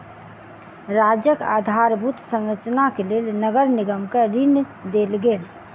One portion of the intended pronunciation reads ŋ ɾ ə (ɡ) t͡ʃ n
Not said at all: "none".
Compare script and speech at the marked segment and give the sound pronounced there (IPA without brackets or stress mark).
none